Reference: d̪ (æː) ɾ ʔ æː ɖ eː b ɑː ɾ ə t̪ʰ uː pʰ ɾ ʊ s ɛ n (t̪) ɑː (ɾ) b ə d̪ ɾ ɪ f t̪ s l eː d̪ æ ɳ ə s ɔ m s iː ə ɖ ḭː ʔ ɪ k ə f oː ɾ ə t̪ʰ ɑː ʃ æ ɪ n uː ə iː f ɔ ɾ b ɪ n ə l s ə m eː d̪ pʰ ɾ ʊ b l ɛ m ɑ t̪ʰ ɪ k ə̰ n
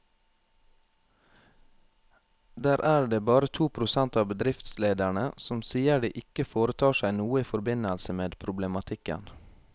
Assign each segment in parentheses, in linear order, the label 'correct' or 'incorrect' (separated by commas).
correct, correct, incorrect